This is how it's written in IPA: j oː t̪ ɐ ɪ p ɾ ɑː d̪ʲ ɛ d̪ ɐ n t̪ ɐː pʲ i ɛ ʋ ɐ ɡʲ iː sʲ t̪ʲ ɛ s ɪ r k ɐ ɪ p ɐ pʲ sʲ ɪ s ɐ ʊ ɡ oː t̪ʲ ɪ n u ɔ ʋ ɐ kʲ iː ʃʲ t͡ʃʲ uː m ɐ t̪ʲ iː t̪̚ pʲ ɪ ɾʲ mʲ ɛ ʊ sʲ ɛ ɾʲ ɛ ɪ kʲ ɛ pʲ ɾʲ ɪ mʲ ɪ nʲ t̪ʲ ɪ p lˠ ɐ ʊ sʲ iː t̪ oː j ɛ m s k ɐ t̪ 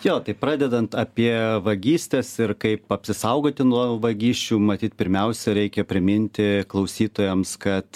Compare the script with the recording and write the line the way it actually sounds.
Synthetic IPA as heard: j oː t̪ ɐ ɪ p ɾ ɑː d̪ʲ ɛ d̪ ɐ n t̪ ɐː pʲ i ɛ ʋ ɐ ɡʲ iː sʲ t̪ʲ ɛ s ɪ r k ɐ ɪ p ɐ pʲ sʲ ɪ s ɐ ʊ ɡ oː t̪ʲ ɪ n u ɔ ʋ ɐ ɡʲ iː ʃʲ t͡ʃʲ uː m ɐ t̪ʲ iː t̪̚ pʲ ɪ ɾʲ mʲ ɛ ʊ sʲ ɛ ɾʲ ɛ ɪ kʲ ɛ pʲ ɾʲ ɪ mʲ ɪ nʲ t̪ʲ ɪ k lˠ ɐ ʊ sʲ iː t̪ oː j ɛ m s k ɐ t̪